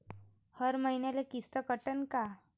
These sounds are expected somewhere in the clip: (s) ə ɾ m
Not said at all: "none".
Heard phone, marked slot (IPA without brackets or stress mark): h